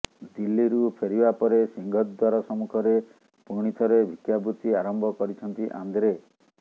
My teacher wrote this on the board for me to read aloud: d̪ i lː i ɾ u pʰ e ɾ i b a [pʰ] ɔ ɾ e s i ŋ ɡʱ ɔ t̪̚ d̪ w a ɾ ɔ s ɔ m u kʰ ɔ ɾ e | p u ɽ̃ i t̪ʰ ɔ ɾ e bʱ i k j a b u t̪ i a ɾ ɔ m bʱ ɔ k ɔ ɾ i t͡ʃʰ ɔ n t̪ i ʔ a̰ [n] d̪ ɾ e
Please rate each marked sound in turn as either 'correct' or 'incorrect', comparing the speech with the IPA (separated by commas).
incorrect, correct